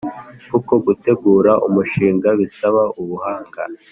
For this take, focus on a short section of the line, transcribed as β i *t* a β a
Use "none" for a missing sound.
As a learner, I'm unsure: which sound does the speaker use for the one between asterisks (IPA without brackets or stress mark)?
s